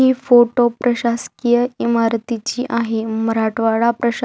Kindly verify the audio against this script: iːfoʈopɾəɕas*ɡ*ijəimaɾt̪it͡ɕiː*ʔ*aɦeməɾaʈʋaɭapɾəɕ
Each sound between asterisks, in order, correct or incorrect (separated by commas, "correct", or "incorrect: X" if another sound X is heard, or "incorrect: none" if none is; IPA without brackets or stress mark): incorrect: k, correct